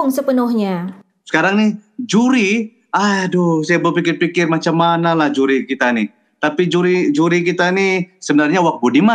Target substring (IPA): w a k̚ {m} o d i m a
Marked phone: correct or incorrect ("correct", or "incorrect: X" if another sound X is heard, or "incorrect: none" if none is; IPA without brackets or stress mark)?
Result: incorrect: b